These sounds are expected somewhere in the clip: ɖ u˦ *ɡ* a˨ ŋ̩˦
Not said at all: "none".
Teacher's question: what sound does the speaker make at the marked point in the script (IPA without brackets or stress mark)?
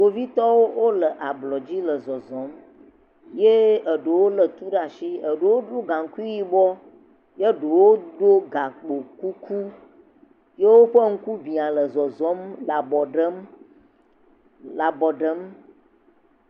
ɡ